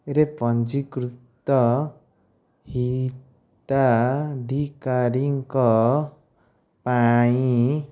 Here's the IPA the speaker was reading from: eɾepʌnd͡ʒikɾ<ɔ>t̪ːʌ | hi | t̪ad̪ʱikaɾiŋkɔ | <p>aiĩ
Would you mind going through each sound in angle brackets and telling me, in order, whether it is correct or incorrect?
incorrect: u, correct

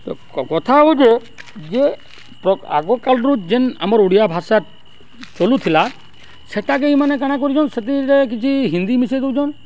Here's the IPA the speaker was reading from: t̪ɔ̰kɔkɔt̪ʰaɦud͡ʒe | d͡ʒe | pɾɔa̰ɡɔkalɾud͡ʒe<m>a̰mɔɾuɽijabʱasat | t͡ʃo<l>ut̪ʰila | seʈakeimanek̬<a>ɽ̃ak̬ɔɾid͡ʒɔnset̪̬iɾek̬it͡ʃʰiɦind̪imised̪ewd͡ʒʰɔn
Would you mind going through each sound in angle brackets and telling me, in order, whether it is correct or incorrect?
incorrect: n, correct, correct

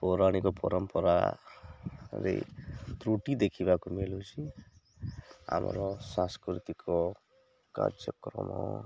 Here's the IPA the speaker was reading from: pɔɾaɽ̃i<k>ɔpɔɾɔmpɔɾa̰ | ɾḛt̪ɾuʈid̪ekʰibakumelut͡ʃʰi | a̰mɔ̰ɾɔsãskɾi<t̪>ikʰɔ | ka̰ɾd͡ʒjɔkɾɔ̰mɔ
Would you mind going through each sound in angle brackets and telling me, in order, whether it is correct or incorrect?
correct, correct

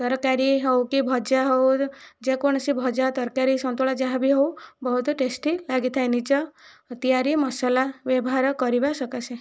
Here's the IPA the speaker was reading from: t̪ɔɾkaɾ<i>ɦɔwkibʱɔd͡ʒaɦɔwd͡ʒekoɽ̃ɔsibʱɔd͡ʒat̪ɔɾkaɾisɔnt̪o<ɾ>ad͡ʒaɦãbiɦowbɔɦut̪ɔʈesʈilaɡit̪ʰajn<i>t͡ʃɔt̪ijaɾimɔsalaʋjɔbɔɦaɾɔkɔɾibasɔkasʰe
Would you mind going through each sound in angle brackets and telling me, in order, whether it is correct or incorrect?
correct, incorrect: ɭ, correct

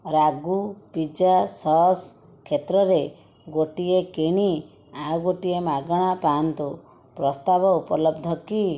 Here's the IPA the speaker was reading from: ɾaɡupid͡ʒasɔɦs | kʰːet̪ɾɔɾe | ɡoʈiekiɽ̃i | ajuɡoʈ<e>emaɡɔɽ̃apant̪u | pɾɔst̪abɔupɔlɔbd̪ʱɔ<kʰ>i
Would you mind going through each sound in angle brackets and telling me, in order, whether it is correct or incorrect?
incorrect: i, incorrect: k

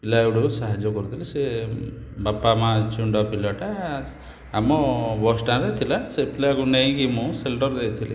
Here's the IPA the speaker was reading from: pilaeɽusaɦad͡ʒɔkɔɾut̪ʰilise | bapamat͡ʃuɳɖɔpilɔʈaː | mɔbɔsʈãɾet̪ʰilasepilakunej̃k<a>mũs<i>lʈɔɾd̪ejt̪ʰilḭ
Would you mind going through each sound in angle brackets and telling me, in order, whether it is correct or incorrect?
incorrect: i, incorrect: e

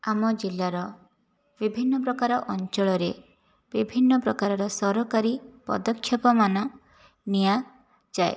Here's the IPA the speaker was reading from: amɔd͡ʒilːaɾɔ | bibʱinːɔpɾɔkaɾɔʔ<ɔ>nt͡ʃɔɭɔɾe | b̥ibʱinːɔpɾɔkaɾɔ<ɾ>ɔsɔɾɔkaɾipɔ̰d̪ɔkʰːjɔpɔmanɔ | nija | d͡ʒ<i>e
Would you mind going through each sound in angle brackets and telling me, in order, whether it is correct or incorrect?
correct, correct, incorrect: a

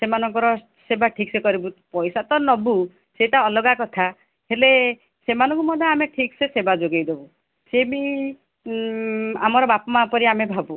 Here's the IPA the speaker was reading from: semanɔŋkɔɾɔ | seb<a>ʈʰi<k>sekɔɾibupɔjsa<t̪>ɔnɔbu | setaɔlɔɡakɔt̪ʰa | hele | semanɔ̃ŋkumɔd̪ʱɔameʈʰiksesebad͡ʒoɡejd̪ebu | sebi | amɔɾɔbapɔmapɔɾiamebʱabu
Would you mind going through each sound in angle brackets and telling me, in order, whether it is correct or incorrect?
correct, correct, correct

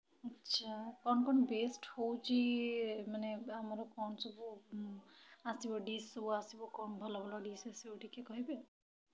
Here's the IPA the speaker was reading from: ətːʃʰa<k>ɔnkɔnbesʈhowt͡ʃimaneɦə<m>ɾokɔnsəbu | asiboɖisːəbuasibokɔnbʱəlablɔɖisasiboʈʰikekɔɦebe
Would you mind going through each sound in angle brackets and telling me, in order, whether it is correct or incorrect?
correct, correct

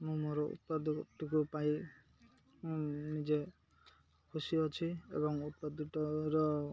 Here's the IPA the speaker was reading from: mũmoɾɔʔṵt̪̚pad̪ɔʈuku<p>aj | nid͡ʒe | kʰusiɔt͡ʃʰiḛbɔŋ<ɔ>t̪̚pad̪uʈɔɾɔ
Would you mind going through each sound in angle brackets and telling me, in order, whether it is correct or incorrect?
correct, incorrect: u

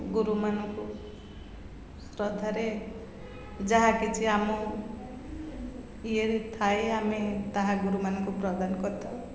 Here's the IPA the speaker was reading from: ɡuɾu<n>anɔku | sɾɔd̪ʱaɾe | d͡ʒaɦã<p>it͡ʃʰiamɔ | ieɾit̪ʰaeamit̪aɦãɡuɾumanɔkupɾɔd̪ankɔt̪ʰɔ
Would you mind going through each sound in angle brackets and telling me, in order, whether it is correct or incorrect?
incorrect: m, incorrect: k

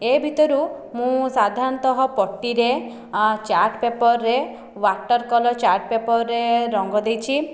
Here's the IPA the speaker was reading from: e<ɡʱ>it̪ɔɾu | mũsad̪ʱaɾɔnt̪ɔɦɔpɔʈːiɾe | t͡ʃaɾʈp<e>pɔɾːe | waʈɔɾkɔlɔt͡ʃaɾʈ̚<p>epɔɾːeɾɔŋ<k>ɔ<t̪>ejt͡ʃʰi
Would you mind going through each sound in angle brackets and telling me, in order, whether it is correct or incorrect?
incorrect: bʱ, correct, correct, incorrect: ɡ, incorrect: d̪

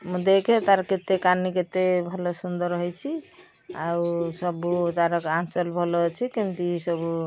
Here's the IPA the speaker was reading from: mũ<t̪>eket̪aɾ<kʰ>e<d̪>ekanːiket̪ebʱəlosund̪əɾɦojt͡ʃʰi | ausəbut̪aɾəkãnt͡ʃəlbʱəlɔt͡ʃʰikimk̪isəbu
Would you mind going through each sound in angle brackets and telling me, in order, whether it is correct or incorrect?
incorrect: d̪, incorrect: k, incorrect: t̪

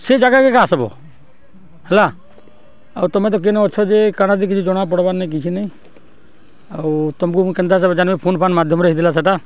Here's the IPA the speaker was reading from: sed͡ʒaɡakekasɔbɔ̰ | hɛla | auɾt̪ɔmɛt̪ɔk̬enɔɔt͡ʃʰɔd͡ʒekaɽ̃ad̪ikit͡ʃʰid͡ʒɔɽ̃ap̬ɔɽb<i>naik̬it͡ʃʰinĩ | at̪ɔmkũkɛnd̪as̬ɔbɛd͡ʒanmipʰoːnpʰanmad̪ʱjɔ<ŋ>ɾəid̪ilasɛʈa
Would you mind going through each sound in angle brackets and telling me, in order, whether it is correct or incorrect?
incorrect: a, incorrect: m

